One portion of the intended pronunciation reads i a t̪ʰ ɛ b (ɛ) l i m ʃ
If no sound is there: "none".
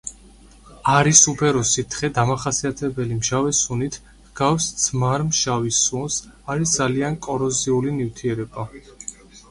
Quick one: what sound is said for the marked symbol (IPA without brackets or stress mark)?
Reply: ɛ